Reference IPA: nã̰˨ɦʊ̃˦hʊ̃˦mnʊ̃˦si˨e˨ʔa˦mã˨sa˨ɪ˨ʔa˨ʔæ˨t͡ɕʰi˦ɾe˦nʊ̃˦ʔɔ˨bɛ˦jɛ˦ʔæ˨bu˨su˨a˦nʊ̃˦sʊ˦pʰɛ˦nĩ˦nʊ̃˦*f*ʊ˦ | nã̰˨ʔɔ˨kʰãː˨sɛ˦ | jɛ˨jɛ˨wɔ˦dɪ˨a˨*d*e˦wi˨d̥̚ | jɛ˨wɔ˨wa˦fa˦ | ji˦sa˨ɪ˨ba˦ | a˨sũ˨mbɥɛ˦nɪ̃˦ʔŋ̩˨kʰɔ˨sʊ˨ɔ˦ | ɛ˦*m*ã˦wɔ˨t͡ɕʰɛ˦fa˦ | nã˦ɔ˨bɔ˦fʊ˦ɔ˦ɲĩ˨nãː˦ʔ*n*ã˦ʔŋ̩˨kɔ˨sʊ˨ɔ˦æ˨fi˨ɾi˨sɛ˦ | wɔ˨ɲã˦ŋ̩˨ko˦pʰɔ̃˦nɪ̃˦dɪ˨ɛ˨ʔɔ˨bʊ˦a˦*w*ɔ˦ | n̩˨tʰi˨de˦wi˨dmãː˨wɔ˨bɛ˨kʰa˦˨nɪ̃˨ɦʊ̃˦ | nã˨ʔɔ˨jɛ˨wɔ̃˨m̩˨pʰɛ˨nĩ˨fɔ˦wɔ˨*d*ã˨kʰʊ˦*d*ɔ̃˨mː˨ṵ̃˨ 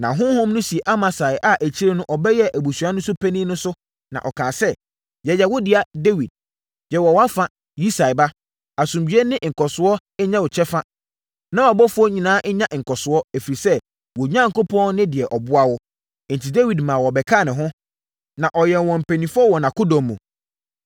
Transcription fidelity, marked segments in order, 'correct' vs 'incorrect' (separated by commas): incorrect, correct, incorrect, incorrect, correct, incorrect, correct